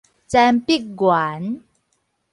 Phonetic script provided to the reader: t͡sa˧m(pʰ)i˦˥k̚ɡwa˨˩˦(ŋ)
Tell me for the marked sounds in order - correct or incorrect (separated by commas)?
incorrect, incorrect